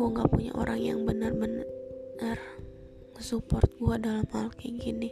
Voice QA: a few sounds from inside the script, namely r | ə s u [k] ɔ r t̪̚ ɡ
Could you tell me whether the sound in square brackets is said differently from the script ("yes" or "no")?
yes